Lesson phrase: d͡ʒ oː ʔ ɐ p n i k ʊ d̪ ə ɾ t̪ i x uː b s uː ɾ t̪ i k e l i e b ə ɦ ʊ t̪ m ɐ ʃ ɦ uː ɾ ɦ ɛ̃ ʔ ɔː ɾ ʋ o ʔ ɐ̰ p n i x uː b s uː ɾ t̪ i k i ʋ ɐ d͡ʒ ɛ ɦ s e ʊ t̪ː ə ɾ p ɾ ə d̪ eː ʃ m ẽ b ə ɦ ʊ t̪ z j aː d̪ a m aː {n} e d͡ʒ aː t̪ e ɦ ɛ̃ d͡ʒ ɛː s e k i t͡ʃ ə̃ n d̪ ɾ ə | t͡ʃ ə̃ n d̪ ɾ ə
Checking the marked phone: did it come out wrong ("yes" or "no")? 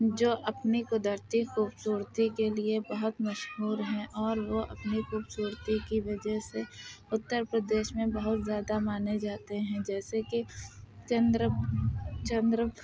no